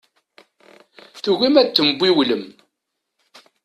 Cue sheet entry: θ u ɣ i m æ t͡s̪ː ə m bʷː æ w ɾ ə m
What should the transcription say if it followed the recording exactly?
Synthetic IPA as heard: θ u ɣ i m æ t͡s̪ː ə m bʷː i w l ə m